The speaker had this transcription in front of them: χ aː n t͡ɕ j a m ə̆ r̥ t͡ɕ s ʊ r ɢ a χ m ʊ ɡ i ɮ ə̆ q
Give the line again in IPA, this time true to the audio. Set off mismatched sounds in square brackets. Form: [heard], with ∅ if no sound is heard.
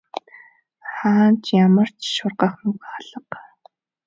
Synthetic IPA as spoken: χ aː n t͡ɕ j a m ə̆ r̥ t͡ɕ [ʃ] ʊ r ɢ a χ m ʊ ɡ [a] ɮ ə̆ q